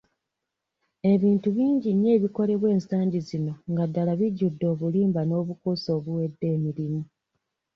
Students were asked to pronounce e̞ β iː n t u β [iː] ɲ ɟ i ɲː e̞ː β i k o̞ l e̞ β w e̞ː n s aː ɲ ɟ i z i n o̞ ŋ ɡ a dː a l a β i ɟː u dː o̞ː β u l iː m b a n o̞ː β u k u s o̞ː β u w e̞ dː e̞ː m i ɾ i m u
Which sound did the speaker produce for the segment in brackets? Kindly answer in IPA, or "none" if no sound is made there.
iː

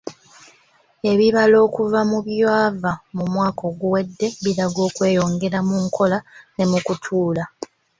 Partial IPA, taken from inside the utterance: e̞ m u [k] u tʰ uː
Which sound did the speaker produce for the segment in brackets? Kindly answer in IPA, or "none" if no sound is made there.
k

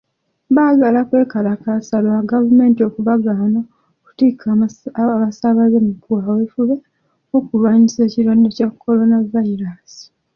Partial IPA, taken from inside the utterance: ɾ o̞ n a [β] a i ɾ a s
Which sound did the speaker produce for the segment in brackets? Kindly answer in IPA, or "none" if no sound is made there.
v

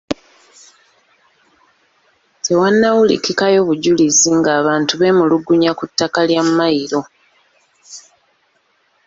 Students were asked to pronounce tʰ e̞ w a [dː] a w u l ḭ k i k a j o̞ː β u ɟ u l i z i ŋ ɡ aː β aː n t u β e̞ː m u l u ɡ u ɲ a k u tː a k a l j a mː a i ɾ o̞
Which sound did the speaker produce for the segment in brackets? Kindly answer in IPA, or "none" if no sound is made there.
nː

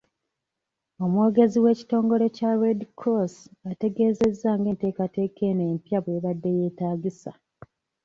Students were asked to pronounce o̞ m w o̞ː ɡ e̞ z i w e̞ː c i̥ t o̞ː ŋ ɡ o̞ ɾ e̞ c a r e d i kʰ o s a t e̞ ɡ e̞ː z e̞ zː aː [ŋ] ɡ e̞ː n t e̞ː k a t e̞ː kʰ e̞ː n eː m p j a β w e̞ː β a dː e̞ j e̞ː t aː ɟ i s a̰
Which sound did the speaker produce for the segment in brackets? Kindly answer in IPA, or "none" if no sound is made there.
ŋ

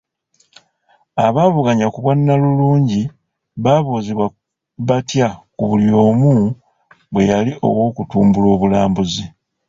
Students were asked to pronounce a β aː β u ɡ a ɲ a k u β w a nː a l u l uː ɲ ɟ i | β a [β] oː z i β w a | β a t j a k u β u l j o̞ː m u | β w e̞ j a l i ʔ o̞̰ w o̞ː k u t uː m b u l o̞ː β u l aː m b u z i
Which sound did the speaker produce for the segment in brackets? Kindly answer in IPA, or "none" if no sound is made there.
β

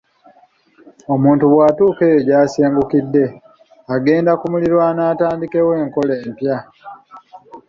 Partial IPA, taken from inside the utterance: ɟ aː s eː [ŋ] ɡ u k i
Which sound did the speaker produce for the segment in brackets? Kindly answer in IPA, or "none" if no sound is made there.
ŋ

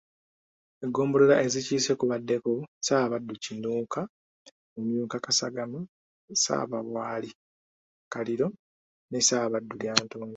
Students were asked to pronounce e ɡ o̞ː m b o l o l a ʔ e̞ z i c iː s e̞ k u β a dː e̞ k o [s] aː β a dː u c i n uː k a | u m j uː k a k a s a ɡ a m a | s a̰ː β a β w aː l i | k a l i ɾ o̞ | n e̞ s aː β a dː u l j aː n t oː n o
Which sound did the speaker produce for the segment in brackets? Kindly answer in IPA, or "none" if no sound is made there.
s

